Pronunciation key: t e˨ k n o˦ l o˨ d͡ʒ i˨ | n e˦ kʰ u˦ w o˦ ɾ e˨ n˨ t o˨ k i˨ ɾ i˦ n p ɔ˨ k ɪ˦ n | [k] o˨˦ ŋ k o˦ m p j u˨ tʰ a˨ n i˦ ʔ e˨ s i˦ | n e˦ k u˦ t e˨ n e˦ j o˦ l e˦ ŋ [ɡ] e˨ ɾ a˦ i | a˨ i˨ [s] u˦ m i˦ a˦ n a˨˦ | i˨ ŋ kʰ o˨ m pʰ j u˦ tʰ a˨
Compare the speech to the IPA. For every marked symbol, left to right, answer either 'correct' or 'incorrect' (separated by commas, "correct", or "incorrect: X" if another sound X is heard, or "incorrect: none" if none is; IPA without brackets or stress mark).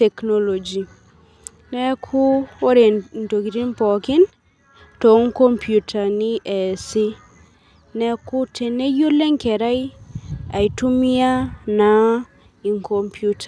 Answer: incorrect: t, incorrect: k, incorrect: t